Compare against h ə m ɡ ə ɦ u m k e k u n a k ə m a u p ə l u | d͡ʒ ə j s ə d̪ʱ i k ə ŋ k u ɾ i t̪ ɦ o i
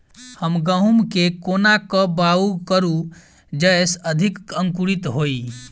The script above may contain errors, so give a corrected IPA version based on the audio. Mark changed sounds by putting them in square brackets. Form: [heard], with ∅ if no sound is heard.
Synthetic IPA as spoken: h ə m ɡ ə ɦ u m k e k [o] n a k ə [b] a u [k] ə [ɾ] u | d͡ʒ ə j s ə d̪ʱ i k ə ŋ k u ɾ i t̪ ɦ o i